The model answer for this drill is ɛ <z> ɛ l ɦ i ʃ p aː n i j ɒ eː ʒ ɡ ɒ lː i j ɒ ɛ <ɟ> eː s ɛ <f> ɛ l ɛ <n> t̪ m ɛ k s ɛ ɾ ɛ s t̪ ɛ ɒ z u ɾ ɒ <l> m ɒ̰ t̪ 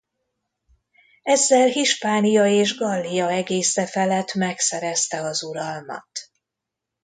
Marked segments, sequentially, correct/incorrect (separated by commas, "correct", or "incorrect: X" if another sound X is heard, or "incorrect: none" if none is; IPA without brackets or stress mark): incorrect: zː, incorrect: ɡ, correct, incorrect: none, correct